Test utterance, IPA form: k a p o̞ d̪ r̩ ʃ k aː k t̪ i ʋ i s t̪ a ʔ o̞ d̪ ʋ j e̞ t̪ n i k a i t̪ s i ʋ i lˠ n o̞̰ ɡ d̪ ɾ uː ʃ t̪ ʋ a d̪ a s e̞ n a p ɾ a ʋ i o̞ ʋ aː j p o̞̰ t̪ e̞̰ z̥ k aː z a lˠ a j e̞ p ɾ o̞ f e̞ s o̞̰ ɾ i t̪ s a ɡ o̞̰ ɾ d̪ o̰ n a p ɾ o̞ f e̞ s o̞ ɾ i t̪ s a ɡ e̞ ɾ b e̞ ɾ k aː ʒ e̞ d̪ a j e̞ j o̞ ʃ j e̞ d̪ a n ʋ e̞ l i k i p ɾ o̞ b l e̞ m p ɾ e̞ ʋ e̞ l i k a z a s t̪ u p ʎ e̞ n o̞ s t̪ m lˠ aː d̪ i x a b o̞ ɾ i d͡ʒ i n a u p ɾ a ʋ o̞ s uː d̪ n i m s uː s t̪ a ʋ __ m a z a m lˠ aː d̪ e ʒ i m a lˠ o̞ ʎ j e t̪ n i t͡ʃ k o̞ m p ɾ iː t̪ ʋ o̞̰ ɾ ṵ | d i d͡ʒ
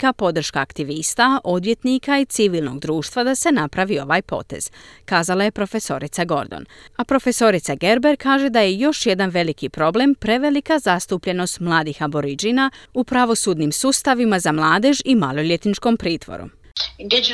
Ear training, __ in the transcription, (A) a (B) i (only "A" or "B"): B